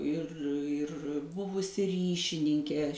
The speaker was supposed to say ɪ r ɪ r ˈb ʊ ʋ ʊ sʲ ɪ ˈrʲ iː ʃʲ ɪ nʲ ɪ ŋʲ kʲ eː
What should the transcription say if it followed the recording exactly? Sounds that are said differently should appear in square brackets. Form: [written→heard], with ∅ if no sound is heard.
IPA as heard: ɪ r ɪ r ˈb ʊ ʋ ʊ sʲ ɪ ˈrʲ iː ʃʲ ɪ nʲ ɪ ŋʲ kʲ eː